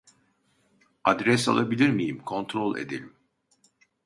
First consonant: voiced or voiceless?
voiced